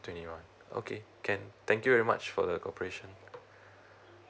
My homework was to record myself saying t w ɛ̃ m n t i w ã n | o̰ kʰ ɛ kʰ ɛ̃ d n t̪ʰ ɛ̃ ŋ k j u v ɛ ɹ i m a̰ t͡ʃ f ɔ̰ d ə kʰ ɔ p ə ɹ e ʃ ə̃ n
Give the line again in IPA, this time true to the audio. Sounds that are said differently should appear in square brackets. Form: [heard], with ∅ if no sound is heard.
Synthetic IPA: t w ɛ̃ [∅] n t i w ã n | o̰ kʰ [e] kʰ ɛ̃ [∅] n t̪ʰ ɛ̃ ŋ k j u v ɛ ɹ i m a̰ t͡ʃ f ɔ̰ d ə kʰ ɔ p ə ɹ e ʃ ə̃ n